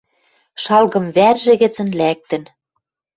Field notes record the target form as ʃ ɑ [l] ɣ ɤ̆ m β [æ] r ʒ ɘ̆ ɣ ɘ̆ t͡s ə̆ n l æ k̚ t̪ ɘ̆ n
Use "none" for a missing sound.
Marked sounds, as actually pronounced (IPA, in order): l, æ

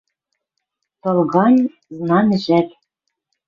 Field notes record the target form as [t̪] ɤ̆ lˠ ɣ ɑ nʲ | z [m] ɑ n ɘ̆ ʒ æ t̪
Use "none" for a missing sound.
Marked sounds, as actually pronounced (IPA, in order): t̪, n

